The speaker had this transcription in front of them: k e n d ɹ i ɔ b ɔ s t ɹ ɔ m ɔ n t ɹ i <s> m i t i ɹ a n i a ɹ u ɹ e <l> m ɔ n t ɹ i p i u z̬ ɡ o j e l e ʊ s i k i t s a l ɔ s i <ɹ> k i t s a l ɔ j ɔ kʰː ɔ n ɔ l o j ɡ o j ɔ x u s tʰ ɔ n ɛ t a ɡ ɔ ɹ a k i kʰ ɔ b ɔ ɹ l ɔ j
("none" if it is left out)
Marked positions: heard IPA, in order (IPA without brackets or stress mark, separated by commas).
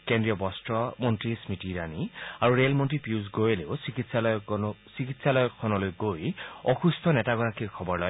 s, l, none